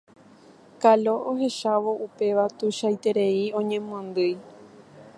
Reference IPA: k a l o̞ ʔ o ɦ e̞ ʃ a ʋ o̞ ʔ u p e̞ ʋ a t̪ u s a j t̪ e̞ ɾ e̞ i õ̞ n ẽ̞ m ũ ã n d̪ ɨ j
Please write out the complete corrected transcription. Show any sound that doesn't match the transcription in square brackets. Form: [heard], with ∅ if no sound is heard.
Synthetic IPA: k a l o̞ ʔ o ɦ e̞ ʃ a ʋ o̞ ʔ u p e̞ ʋ a t̪ u [ʃ] a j t̪ e̞ ɾ e̞ i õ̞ [ɲ] ẽ̞ m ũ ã n d̪ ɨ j

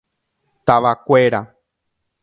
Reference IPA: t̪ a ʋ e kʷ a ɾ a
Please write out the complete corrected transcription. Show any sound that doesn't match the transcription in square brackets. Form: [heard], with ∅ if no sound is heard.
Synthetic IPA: t̪ a ʋ [a] kʷ [e] ɾ a

